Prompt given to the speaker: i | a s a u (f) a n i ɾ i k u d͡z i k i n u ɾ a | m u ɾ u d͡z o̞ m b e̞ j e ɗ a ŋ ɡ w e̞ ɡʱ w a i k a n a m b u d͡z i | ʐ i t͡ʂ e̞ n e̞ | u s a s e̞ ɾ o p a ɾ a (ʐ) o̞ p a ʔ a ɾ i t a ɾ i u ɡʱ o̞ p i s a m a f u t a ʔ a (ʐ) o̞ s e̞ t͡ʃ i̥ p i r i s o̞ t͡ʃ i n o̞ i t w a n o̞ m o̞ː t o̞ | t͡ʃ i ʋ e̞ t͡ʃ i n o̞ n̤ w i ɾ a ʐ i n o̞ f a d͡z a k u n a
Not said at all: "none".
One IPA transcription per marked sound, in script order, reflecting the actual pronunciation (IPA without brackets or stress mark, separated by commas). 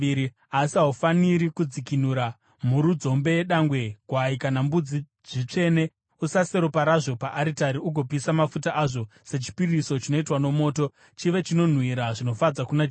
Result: f, ʐ, ʐ